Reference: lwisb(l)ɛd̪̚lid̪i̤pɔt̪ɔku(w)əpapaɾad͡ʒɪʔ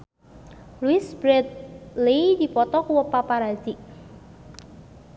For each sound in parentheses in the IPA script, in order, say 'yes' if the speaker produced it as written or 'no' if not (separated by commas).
no, yes